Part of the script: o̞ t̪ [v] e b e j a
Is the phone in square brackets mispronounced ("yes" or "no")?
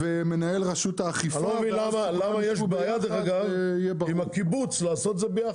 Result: yes